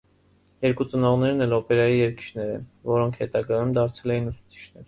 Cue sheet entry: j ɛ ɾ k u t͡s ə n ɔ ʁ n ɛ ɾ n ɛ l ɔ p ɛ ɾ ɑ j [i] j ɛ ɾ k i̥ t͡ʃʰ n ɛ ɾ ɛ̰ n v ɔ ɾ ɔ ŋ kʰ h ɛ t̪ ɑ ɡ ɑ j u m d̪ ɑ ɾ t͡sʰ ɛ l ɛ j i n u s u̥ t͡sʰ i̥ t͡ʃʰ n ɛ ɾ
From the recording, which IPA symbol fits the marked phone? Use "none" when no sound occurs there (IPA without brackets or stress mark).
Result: i